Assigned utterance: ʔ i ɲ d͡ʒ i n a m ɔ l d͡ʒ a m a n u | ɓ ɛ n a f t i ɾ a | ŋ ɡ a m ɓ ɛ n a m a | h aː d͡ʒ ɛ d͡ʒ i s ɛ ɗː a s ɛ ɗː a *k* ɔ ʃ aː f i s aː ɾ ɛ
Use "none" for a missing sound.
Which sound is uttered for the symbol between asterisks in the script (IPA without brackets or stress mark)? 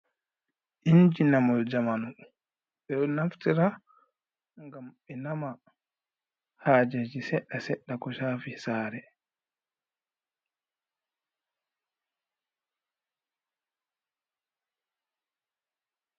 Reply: k